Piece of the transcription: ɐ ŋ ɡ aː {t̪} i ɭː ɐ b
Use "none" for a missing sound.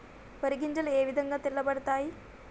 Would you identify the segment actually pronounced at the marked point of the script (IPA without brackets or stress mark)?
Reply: t̪